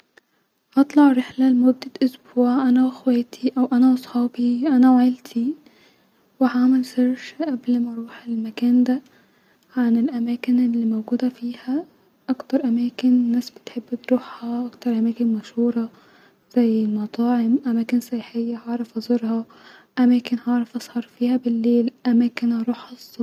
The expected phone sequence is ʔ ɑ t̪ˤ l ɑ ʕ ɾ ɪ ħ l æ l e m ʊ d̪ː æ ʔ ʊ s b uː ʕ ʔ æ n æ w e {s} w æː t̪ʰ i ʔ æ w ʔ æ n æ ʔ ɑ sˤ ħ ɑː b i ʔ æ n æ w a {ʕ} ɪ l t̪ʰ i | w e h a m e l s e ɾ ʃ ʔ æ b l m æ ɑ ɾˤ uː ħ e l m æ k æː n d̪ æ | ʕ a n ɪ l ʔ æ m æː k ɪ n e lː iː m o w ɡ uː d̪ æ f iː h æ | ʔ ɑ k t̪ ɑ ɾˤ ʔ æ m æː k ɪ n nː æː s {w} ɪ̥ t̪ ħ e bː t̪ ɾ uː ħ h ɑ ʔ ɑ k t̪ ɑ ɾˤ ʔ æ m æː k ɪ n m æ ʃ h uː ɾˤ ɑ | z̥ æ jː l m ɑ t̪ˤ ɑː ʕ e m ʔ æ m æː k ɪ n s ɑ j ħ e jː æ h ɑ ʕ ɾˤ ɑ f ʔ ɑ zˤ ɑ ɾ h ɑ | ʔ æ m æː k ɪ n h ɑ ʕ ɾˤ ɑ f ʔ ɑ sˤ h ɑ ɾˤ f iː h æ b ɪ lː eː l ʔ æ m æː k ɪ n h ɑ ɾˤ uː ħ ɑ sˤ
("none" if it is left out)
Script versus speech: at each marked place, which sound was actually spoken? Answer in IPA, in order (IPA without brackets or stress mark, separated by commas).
x, ʕ, b